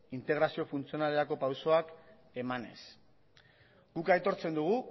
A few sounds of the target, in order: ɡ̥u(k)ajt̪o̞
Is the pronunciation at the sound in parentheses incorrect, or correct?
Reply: correct